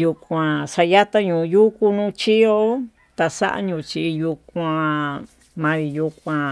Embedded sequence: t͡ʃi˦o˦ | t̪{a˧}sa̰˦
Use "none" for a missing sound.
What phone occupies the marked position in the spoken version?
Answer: a˧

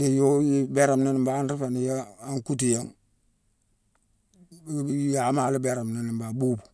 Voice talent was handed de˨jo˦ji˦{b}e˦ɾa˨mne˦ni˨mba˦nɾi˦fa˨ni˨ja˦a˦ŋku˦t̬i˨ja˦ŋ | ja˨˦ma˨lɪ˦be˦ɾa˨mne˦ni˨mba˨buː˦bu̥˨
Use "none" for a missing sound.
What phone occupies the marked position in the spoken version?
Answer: b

